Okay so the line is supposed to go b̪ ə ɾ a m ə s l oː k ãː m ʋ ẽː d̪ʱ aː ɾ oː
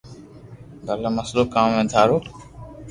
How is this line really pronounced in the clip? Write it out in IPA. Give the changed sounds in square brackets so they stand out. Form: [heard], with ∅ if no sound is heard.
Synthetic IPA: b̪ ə [l] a m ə s l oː k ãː m ʋ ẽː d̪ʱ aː ɾ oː